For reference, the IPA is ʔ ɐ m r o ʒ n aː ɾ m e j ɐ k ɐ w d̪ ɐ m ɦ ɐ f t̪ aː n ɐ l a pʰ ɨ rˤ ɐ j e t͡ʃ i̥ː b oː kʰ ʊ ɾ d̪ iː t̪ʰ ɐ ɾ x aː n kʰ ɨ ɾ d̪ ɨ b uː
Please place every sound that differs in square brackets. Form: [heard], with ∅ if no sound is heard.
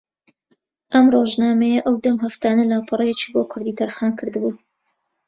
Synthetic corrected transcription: ʔ ɐ m r o ʒ n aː [∅] m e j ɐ [ʔ] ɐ w d̪ ɐ m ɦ ɐ f t̪ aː n ɐ l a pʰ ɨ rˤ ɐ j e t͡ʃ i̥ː b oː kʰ ʊ ɾ d̪ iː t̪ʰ ɐ ɾ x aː n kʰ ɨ ɾ d̪ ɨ b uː